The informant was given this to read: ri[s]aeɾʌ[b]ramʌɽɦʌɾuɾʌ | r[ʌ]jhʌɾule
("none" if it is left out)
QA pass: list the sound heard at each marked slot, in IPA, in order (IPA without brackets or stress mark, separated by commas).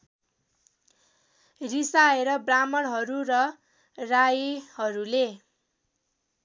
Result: s, b, a